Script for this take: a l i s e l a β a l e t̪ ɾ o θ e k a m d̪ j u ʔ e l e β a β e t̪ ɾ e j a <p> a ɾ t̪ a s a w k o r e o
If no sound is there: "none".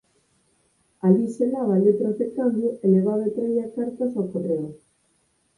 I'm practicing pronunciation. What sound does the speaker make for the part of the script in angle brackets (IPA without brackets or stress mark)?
k